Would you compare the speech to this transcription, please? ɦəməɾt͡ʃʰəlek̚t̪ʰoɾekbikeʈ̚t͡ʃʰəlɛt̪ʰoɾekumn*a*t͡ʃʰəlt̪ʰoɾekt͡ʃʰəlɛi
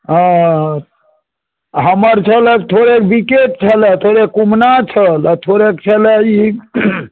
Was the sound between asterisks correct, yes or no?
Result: yes